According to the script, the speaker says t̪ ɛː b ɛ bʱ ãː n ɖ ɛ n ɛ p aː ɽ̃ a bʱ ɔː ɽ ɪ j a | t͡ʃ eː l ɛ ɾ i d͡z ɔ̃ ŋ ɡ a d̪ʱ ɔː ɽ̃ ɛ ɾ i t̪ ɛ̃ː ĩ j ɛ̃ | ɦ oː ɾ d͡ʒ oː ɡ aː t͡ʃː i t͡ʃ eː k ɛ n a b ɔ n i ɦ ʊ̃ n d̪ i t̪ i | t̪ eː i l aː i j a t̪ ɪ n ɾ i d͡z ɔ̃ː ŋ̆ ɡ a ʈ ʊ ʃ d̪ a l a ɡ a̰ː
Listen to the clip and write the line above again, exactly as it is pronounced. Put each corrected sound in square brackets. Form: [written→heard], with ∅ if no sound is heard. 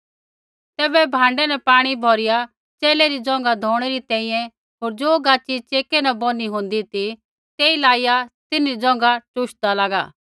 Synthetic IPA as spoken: t̪ ɛː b ɛ bʱ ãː [n→ɳ] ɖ ɛ n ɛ p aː ɽ̃ [a→i] bʱ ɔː [ɽ→ɾ] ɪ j a | t͡ʃ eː l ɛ ɾ i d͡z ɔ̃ ŋ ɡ a d̪ʱ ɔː ɽ̃ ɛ ɾ i t̪ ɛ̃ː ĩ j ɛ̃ | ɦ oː ɾ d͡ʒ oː ɡ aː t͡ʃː i t͡ʃ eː k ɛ n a b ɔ n i ɦ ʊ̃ n d̪ i t̪ i | t̪ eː i l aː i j a t̪ ɪ n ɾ i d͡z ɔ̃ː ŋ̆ ɡ a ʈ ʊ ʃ d̪ a l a ɡ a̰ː